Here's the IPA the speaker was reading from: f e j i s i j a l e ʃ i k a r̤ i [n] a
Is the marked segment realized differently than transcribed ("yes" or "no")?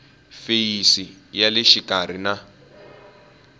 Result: no